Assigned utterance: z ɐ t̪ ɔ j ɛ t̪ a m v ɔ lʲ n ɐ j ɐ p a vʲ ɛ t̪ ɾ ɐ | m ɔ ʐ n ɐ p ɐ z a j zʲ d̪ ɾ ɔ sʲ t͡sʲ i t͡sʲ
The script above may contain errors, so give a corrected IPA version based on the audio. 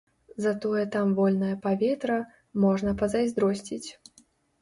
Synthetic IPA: z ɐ t̪ ɔ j ɛ t̪ a m v ɔ lʲ n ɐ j ɐ p a vʲ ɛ t̪ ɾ ɐ | m ɔ ʐ n ɐ p ɐ z a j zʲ d̪ ɾ ɔ sʲ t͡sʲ i t͡sʲ